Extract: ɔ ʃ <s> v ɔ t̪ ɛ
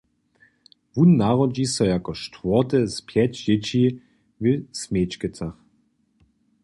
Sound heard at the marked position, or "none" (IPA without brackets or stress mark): t